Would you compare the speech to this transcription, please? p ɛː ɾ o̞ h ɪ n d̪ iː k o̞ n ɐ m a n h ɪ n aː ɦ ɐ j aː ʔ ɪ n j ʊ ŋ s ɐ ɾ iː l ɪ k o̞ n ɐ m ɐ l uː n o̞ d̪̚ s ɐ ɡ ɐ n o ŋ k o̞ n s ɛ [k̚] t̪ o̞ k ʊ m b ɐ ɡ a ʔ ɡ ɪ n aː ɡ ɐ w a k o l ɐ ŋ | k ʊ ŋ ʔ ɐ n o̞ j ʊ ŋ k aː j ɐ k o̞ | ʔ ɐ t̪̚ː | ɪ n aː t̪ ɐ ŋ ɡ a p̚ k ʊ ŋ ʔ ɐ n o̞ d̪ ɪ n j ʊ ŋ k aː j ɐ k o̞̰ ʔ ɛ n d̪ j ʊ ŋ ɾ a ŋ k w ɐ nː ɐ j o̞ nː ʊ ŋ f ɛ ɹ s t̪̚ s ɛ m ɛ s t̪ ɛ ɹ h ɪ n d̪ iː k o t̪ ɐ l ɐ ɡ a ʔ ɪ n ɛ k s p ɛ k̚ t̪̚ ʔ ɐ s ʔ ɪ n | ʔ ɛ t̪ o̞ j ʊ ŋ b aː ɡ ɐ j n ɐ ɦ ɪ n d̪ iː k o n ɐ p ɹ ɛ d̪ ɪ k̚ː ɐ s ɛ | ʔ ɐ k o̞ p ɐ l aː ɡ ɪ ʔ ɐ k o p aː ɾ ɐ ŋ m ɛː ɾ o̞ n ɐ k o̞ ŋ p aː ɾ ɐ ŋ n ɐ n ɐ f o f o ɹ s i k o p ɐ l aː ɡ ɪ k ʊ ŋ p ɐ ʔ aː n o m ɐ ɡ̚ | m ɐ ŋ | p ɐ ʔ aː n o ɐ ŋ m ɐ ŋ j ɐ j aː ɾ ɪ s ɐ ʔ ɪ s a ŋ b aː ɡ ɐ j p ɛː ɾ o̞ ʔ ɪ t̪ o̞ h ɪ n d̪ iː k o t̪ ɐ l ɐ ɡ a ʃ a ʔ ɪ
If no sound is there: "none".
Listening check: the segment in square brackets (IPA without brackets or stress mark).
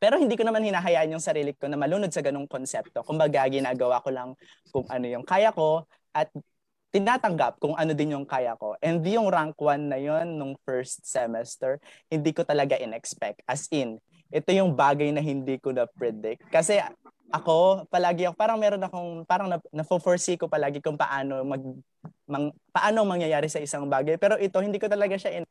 p̚